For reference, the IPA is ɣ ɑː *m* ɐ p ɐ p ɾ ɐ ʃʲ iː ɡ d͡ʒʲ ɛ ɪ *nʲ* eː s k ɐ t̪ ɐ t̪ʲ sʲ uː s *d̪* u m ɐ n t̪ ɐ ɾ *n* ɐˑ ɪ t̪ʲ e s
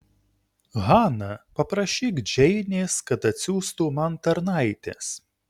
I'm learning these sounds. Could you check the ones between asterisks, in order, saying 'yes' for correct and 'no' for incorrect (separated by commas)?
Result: no, yes, no, yes